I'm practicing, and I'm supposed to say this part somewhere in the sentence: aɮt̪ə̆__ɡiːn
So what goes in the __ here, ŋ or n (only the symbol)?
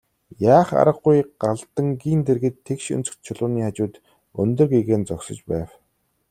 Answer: ŋ